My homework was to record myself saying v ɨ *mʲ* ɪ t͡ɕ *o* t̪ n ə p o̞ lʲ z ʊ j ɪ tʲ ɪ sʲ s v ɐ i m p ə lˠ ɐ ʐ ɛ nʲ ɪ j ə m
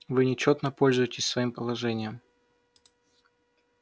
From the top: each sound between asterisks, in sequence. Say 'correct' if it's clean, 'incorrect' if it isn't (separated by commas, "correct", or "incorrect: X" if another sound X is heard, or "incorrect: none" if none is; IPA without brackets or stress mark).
incorrect: nʲ, correct